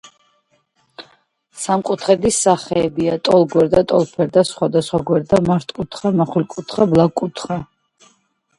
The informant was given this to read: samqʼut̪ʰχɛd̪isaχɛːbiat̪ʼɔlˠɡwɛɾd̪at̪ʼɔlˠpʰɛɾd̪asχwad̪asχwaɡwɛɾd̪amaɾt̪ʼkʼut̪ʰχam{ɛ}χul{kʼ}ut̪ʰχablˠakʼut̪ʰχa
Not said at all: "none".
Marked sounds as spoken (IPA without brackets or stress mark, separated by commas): a, kʼ